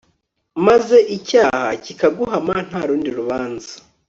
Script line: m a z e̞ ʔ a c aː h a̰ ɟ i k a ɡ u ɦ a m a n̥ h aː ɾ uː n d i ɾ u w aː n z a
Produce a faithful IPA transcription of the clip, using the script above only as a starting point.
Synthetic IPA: m a z e̞ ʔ i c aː h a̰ c i k a ɡ u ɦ a m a n̥ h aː ɾ uː n d i ɾ u β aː n z a